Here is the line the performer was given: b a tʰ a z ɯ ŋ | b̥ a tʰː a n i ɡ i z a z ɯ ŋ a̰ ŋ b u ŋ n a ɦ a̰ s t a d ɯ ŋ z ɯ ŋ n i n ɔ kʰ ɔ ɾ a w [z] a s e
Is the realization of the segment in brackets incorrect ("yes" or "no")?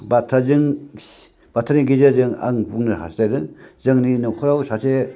yes